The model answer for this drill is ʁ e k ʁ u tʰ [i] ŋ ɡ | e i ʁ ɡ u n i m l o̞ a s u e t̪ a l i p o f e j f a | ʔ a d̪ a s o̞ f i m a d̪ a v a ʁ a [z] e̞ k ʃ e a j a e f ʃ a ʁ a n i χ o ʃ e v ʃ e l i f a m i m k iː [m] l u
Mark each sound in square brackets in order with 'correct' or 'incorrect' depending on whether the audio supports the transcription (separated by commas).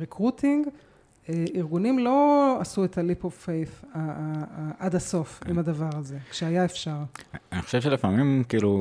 correct, correct, incorrect